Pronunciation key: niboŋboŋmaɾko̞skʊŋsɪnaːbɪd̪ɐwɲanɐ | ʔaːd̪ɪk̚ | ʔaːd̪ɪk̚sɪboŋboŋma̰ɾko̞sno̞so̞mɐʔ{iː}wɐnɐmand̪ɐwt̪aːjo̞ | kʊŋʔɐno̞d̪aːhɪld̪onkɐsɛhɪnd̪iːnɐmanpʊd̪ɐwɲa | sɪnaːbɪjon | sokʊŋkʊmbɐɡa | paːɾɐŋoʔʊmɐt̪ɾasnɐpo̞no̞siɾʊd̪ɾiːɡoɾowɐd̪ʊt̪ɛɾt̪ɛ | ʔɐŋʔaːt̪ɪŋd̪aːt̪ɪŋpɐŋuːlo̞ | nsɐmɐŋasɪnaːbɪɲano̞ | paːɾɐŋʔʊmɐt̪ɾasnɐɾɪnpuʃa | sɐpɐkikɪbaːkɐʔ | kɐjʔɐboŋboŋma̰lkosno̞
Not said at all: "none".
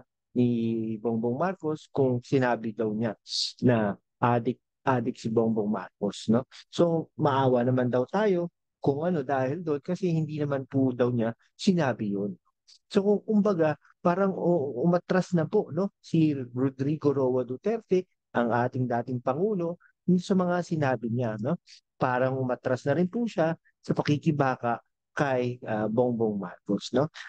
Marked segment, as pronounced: aː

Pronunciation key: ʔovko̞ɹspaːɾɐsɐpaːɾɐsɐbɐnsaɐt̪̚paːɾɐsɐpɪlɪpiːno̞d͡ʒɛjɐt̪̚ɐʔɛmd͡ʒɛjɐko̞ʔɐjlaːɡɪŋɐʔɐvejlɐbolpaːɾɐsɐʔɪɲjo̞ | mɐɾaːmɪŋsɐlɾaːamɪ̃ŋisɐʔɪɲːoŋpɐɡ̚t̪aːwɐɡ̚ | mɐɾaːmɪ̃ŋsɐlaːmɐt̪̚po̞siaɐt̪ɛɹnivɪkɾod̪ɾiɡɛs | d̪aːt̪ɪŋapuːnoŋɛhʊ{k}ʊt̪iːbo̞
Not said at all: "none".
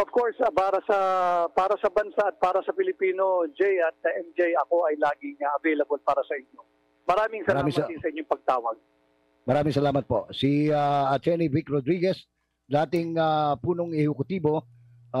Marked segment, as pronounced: k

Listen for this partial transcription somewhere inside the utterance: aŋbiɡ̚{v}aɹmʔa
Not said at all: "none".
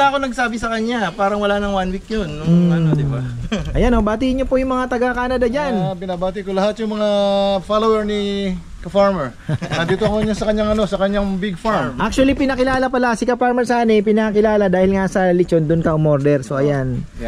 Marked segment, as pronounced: f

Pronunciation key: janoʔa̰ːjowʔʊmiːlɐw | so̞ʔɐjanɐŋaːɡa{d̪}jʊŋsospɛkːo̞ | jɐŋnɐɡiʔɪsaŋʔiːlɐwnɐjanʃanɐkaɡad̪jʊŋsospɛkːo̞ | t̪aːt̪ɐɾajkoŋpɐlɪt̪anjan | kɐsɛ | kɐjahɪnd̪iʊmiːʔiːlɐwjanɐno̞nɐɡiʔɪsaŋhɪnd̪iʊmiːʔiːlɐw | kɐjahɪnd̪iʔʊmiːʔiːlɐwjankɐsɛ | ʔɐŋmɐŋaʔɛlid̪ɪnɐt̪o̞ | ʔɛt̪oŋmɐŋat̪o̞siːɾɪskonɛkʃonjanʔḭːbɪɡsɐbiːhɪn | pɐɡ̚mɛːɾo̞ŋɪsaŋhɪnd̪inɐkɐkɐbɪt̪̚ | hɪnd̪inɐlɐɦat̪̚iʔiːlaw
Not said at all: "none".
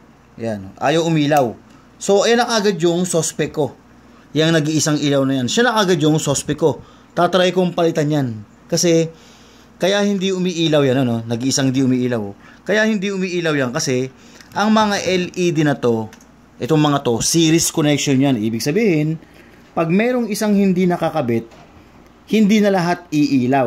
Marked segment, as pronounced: d̪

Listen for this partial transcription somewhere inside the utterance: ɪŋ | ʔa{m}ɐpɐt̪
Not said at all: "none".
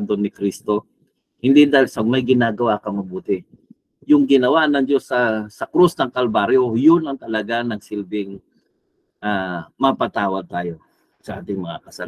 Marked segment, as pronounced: m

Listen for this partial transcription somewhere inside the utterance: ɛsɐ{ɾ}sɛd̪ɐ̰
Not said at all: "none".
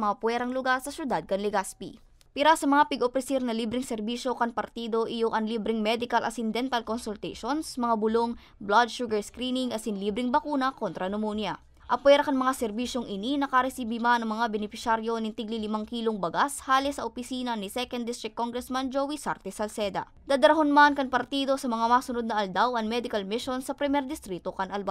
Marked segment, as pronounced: l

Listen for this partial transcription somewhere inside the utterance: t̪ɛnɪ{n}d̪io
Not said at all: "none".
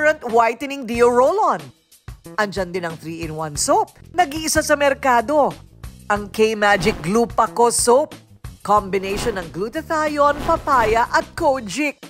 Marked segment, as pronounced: ŋ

